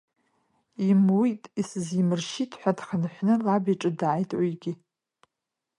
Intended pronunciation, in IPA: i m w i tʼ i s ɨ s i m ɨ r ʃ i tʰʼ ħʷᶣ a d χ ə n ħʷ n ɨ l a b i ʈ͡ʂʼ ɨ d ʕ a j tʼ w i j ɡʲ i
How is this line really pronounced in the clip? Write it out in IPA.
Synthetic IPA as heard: i m w i tʼ i s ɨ z i m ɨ r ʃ i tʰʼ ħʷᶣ a d χ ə n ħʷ n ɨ l a b i ʈ͡ʂʼ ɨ d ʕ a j tʼ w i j ɡʲ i